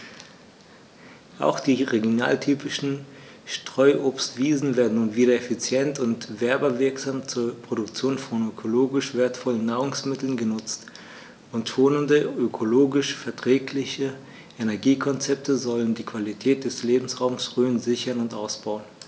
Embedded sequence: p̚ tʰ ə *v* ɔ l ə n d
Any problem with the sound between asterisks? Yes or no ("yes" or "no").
yes